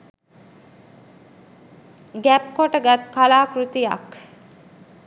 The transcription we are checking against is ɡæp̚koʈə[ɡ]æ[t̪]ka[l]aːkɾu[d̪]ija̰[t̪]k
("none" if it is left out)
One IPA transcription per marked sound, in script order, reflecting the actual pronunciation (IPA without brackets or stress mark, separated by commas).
ɡ, t̪, l, t̪, none